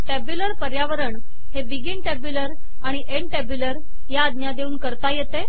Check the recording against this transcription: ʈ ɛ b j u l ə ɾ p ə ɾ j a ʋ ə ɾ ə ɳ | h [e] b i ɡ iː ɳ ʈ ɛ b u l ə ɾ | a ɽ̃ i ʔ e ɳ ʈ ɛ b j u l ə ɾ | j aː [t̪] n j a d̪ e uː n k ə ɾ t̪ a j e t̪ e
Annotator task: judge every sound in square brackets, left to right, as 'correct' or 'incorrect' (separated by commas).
correct, incorrect